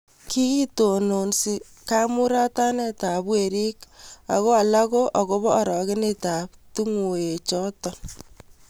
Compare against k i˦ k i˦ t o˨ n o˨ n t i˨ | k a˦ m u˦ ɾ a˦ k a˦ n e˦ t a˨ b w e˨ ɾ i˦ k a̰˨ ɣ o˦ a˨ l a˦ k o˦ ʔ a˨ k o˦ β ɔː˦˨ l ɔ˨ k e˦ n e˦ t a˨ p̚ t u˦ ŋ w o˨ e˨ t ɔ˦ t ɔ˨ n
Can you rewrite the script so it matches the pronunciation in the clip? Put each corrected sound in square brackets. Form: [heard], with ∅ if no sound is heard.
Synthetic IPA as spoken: k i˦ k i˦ t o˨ n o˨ n [s] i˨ | k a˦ m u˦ ɾ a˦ [t] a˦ n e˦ t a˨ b w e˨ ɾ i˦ k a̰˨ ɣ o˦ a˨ l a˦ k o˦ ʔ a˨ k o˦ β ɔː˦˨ [ɾ] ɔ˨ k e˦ n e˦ t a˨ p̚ t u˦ ŋ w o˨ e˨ [t͡ʃ] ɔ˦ t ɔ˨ n